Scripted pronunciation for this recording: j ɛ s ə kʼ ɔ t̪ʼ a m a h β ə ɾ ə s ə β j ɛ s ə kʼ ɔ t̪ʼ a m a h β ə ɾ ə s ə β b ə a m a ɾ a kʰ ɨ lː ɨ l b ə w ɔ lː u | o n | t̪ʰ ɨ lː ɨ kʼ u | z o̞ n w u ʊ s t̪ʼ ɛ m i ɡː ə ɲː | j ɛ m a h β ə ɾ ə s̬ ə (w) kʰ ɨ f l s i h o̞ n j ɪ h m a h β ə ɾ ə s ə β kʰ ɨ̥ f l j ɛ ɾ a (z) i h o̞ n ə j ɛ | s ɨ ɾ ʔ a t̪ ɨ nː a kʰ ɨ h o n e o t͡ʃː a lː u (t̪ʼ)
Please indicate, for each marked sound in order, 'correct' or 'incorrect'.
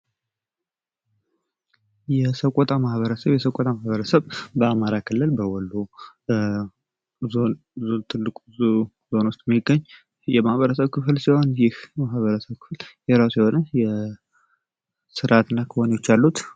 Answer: incorrect, incorrect, incorrect

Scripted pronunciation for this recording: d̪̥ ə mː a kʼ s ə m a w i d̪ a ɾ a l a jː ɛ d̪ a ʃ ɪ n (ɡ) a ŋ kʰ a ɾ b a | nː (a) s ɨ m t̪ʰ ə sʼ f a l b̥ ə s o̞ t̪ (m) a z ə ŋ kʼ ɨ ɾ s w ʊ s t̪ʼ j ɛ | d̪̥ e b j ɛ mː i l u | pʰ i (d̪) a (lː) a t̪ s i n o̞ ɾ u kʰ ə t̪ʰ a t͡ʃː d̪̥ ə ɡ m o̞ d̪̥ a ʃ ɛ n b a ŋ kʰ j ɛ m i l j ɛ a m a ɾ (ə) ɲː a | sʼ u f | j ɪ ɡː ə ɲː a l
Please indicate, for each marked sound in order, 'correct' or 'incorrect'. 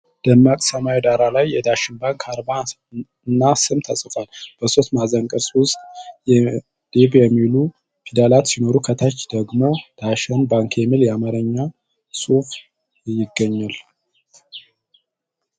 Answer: incorrect, correct, correct, correct, incorrect, correct

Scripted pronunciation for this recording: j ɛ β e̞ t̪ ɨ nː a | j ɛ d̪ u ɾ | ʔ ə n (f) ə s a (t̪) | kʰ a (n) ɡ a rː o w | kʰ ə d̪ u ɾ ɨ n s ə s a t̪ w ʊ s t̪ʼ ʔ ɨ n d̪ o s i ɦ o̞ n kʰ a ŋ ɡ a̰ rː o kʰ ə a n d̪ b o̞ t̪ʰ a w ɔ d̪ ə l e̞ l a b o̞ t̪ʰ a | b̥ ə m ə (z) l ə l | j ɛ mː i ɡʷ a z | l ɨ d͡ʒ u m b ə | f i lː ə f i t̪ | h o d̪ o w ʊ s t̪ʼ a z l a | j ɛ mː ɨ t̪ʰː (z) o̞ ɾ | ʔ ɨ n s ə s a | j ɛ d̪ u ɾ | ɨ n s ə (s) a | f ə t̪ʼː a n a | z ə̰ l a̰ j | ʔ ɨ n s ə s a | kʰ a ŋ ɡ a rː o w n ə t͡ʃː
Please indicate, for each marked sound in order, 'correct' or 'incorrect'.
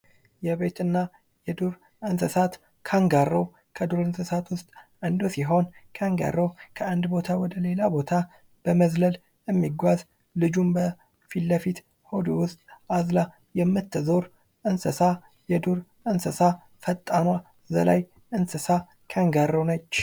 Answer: incorrect, correct, incorrect, correct, correct, correct

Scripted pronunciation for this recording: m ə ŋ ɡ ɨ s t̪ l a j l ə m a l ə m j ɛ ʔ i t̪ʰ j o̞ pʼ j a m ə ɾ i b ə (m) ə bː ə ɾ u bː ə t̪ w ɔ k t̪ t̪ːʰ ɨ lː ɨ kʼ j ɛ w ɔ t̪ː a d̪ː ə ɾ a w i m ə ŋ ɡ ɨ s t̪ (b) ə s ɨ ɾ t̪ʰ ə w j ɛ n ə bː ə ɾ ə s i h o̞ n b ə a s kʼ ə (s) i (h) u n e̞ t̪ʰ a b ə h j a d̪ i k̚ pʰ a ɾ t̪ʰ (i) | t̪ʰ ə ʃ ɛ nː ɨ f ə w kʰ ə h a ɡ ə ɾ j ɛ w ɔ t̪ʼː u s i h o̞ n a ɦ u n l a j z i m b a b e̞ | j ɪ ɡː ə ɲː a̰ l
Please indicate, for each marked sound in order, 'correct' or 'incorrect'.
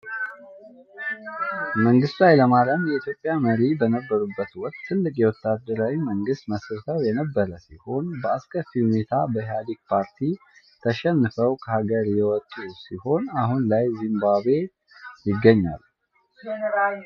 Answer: incorrect, incorrect, incorrect, correct, correct

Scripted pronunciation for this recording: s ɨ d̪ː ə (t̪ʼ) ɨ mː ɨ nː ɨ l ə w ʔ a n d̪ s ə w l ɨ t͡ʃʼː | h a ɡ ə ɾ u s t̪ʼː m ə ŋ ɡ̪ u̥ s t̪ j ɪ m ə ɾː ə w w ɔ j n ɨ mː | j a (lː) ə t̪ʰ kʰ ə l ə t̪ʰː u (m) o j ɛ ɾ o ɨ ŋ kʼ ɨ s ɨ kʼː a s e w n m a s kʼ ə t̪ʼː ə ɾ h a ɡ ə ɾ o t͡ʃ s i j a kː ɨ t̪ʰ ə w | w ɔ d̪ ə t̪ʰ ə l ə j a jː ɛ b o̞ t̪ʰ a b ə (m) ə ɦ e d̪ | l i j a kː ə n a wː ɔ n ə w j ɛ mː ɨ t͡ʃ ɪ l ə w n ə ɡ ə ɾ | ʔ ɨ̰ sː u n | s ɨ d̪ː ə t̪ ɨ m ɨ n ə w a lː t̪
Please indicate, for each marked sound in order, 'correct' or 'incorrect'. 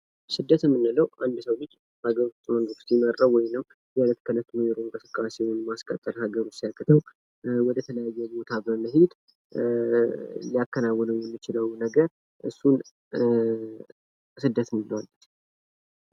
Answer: incorrect, incorrect, incorrect, correct

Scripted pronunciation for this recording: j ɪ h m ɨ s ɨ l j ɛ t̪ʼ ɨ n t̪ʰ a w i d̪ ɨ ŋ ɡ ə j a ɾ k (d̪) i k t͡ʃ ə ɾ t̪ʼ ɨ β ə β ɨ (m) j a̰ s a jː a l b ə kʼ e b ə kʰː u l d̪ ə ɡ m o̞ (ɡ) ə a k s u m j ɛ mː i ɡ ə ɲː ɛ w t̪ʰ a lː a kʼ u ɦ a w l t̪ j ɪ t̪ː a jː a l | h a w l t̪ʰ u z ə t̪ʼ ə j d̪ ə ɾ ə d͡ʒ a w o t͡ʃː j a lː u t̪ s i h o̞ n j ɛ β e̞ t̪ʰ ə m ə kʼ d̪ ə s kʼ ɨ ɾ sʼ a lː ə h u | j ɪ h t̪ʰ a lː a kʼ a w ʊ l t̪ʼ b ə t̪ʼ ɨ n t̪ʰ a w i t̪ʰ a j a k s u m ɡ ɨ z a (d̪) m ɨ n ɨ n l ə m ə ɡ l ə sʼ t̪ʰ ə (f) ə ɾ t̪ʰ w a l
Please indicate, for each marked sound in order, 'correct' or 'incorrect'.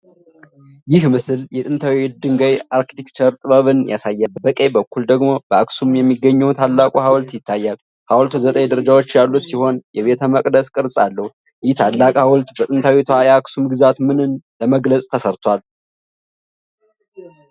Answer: incorrect, incorrect, incorrect, incorrect, incorrect

